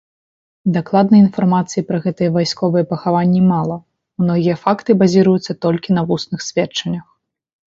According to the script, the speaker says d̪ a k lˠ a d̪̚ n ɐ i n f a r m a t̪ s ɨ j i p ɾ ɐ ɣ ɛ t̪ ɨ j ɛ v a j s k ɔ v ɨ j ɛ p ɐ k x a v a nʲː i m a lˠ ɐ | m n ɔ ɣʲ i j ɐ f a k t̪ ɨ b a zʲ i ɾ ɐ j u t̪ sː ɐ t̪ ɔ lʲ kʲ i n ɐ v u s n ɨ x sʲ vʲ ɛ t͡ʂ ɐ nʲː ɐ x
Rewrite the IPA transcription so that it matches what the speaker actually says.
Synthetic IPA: d̪ a k lˠ a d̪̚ n ɐ i n f a r m a t̪ s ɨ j i p ɾ ɐ ɣ ɛ t̪ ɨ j ɛ v a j s k ɔ v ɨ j ɛ p ɐ x a v a nʲː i m a lˠ ɐ | m n ɔ ɣʲ i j ɐ f a k t̪ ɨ b a zʲ i ɾ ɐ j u t̪ sː ɐ t̪ ɔ lʲ kʲ i n ɐ v u s n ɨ x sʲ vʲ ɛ t͡ʂ ɐ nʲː ɐ x